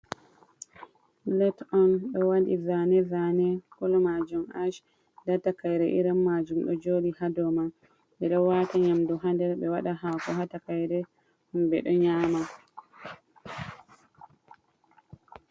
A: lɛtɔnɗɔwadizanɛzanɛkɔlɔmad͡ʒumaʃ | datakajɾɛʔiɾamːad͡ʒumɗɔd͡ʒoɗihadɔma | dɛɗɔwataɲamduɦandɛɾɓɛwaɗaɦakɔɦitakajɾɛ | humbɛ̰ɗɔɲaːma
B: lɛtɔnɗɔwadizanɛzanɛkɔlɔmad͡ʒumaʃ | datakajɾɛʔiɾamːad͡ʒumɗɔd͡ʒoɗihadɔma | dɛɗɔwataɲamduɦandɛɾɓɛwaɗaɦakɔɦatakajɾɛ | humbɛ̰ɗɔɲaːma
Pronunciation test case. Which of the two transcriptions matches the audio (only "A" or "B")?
B